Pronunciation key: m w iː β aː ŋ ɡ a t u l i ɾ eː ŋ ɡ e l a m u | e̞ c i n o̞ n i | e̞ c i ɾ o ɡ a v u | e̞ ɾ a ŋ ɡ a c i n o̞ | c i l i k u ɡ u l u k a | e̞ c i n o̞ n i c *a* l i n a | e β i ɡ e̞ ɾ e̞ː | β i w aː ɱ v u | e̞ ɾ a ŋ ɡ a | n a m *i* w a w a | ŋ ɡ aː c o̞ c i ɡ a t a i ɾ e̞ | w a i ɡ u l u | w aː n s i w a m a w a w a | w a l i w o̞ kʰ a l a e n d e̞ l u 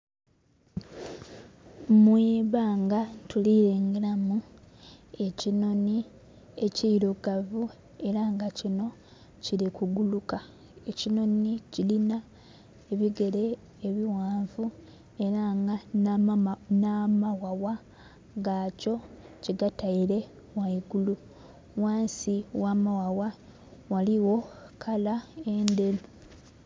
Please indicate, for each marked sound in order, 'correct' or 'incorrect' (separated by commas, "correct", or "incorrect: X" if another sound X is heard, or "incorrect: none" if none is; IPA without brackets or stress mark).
incorrect: i, incorrect: a